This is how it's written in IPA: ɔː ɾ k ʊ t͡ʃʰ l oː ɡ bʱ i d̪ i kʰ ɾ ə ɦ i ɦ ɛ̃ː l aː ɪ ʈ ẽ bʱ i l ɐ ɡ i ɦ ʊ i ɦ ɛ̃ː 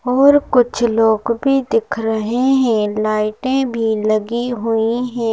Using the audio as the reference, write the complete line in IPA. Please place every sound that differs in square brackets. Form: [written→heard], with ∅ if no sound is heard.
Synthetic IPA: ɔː ɾ k ʊ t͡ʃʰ l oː ɡ bʱ i d̪ [i→ɪ] kʰ ɾ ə ɦ [i→e] ɦ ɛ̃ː l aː ɪ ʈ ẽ bʱ i l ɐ ɡ i ɦ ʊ i ɦ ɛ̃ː